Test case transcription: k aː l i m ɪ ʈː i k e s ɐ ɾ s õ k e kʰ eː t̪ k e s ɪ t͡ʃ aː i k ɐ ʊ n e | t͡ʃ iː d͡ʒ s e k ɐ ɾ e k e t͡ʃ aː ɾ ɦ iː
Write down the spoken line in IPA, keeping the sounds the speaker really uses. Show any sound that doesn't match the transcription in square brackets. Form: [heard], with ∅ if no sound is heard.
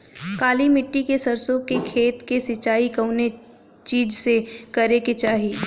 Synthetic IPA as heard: k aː l i m ɪ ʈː i k e s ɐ ɾ s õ k e kʰ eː t̪ k e s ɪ t͡ʃ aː i k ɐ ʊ n e | t͡ʃ iː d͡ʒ s e k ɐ ɾ e k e t͡ʃ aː [∅] ɦ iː